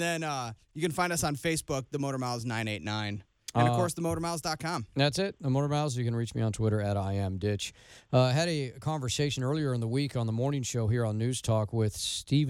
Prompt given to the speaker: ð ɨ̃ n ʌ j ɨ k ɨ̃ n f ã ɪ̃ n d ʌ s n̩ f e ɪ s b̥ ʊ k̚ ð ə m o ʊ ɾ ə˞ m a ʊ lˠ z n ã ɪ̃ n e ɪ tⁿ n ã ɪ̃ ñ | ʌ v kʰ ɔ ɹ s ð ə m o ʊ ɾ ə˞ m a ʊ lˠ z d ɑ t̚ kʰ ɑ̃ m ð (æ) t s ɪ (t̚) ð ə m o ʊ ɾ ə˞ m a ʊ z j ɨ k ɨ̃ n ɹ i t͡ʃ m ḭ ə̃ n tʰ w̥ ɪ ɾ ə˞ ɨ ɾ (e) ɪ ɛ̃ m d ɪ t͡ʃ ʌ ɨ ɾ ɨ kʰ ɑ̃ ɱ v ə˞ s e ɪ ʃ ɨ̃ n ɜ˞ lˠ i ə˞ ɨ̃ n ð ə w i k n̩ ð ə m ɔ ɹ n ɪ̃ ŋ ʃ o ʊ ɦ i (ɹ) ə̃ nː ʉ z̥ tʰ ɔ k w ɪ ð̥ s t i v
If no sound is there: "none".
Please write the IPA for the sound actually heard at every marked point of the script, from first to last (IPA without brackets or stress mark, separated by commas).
æ, t̚, a, ɹ